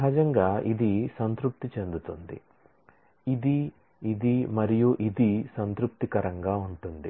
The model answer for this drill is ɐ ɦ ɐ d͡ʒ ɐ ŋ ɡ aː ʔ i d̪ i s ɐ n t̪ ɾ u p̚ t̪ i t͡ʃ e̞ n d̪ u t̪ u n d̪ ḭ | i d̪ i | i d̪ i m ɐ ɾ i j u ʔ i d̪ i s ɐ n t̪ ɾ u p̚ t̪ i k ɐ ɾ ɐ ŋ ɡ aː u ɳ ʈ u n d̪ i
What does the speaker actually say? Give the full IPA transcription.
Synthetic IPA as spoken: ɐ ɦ ɐ d͡ʒ ɐ ŋ ɡ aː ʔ i d̪ i s ɐ n t̪ ɾ u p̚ t̪ i t͡ʃ e̞ n d̪ u t̪ u n d̪ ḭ | i d̪ i | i d̪ i m ɐ ɾ i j u ʔ i d̪ i s ɐ n t̪ ɾ u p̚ t̪ i k ɐ ɾ ɐ ŋ ɡ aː u ɳ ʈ u n d̪ i